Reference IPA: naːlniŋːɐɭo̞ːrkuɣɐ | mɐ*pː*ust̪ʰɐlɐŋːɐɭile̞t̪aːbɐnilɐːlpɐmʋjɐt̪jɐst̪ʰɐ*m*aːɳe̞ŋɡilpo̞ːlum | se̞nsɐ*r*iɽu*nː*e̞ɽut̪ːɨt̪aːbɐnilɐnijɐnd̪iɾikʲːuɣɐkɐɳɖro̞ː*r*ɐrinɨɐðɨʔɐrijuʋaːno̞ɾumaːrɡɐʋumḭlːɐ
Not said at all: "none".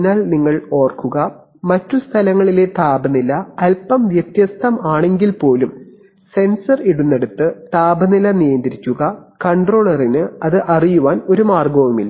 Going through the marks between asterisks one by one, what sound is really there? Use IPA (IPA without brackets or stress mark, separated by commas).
tː, m, r, nː, ɭ